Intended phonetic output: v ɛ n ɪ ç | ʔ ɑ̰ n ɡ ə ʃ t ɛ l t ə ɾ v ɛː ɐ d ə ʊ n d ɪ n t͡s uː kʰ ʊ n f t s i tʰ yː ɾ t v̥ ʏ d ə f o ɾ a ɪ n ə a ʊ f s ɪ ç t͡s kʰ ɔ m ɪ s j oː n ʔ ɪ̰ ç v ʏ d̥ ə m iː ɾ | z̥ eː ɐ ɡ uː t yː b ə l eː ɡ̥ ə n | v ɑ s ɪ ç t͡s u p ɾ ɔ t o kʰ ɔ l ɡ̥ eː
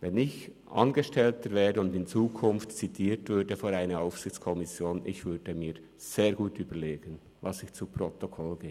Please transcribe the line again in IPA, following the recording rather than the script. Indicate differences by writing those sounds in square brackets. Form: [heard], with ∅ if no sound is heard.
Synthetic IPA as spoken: v ɛ n ɪ ç | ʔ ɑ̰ n ɡ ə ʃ t ɛ l t ə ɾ v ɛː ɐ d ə ʊ n d ɪ n t͡s uː kʰ ʊ n f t [t͡s] i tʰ [iː] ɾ t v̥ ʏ d ə f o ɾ a ɪ n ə a ʊ f s ɪ ç t͡s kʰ ɔ m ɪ s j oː n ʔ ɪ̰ ç v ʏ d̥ ə m iː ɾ | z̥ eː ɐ ɡ uː t yː b ə l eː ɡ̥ ə n | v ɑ s ɪ ç t͡s u p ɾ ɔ t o kʰ ɔ l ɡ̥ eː